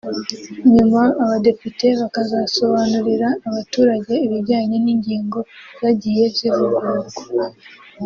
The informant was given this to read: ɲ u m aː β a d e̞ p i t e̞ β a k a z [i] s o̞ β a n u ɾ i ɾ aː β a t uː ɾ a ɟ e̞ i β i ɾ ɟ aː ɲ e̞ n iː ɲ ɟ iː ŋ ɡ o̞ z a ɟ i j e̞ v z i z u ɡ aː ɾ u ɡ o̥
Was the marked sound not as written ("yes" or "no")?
yes